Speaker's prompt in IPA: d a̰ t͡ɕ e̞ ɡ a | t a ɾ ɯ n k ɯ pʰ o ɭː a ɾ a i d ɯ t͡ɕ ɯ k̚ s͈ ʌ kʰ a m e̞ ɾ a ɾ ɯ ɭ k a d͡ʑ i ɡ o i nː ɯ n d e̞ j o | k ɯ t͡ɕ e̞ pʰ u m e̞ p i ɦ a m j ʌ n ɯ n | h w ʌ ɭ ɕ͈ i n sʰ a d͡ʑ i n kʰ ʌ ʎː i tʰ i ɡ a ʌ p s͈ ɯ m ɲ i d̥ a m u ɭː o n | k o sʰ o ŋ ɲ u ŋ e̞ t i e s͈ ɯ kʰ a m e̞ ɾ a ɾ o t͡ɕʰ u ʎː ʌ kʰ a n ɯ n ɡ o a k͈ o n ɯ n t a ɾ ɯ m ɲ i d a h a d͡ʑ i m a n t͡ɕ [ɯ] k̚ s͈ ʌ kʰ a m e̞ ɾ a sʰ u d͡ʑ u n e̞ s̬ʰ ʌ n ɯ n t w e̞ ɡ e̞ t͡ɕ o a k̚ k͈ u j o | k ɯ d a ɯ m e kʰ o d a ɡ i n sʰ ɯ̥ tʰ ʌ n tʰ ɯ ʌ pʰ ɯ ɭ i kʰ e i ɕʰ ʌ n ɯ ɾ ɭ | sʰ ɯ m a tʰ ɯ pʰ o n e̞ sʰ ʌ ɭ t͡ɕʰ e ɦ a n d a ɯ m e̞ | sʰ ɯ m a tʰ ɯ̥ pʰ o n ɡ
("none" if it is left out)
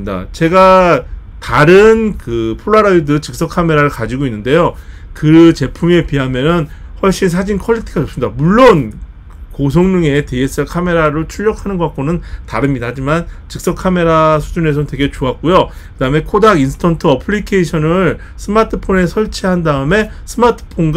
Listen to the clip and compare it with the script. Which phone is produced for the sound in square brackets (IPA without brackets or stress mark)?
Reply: ɯ